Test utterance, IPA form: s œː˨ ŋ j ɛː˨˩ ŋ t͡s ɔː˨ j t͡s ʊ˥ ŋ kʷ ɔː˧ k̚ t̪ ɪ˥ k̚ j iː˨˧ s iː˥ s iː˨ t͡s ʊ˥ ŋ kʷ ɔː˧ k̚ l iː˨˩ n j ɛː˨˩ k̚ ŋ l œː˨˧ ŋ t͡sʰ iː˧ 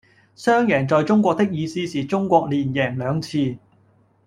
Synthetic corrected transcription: s œː˥ ŋ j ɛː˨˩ ŋ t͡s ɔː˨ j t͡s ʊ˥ ŋ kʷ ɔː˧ k̚ t̪ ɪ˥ k̚ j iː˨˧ s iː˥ s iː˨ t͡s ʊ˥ ŋ kʷ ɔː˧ k̚ l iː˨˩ n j ɛː˨˩ ŋ l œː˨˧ ŋ t͡sʰ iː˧